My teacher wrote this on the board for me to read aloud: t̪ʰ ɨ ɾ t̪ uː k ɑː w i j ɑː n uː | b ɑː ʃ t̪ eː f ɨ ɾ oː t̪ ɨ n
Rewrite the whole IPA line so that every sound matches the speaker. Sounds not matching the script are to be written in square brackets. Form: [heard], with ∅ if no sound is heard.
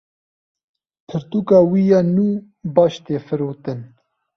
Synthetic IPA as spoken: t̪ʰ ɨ ɾ t̪ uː k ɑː w i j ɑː n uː | b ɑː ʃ t̪ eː f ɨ ɾ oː t̪ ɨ n